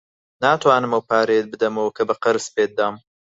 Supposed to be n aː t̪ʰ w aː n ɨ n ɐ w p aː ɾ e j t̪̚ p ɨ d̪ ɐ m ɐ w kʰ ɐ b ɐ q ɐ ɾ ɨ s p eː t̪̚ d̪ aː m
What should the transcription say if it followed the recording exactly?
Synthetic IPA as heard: n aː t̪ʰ w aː n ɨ m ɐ w p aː ɾ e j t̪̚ b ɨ d̪ ɐ m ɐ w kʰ ɐ b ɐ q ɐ ɾ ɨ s p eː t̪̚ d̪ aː m